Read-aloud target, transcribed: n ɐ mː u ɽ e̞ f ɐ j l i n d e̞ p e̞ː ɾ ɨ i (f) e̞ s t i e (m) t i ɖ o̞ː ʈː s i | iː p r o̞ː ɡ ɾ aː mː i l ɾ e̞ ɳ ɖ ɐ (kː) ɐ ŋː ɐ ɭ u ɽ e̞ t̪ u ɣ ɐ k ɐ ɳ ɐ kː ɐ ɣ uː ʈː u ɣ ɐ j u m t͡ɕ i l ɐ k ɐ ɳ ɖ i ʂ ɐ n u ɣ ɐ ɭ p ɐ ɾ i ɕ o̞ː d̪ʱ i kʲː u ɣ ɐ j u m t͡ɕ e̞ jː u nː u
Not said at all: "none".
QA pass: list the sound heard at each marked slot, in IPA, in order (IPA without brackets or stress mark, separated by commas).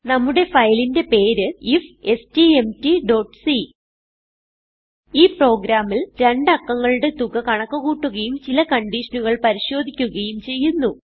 f, m, kː